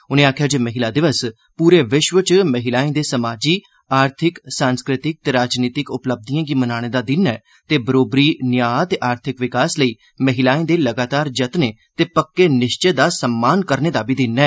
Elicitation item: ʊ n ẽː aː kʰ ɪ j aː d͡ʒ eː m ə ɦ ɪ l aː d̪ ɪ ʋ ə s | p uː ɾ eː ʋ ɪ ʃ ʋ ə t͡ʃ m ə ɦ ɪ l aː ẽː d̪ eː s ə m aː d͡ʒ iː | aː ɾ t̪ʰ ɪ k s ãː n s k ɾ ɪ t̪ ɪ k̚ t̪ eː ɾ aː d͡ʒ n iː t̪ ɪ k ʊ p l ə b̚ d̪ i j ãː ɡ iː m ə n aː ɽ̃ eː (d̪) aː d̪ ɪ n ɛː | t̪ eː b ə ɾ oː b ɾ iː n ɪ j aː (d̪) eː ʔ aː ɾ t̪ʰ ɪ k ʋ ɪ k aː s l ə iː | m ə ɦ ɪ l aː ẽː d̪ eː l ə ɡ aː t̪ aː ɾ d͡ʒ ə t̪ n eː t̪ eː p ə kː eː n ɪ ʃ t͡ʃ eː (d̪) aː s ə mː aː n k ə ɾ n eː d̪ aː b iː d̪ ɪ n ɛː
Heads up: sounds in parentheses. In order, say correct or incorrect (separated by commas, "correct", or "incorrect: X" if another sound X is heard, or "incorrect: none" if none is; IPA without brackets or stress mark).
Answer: correct, incorrect: t̪, correct